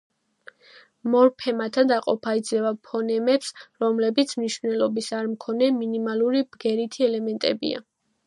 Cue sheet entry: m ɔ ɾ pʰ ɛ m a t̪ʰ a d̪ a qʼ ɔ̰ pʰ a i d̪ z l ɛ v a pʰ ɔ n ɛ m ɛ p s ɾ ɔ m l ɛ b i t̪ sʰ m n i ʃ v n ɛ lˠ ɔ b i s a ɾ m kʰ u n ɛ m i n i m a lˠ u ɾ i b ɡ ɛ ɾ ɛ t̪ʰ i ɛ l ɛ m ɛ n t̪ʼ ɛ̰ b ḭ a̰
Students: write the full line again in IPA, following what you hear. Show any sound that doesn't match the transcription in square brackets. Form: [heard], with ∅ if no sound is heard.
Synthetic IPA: m ɔ ɾ pʰ ɛ m a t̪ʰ a d̪ a qʼ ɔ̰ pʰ a i d̪ z l ɛ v a pʰ ɔ n ɛ m ɛ p s ɾ ɔ m l ɛ b i t̪ sʰ m n i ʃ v n ɛ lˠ ɔ b i s a ɾ m kʰ [ɔ] n ɛ m i n i m a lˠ u ɾ i b ɡ ɛ ɾ [i] t̪ʰ i ɛ l ɛ m ɛ n t̪ʼ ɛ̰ b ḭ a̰

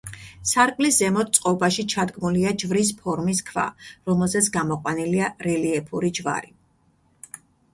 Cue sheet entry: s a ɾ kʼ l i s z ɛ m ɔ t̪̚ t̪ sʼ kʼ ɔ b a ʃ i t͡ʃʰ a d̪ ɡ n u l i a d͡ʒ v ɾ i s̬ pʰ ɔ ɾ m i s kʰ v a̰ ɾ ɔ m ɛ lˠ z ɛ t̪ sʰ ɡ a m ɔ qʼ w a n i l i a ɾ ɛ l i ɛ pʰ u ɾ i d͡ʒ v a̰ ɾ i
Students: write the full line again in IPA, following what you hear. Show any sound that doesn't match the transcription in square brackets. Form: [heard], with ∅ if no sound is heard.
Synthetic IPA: s a ɾ kʼ l i s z ɛ m ɔ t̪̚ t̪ sʼ [qʼ] ɔ b a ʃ i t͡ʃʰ a d̪ ɡ [m] u l i a d͡ʒ v ɾ i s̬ pʰ ɔ ɾ m i s kʰ v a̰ ɾ ɔ m ɛ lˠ z ɛ t̪ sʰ ɡ a m ɔ qʼ w a n i l i a ɾ ɛ l i ɛ pʰ u ɾ i d͡ʒ v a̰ ɾ i

